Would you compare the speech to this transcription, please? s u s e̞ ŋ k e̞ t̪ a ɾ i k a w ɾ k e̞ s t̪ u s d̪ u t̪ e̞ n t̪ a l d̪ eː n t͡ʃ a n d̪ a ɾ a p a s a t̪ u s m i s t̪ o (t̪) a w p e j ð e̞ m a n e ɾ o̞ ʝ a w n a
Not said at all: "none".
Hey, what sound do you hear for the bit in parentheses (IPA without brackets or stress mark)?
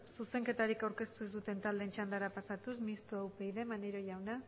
none